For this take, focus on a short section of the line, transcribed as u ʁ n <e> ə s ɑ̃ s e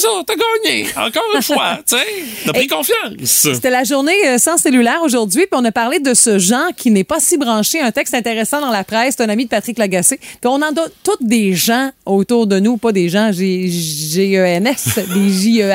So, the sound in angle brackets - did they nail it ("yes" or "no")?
yes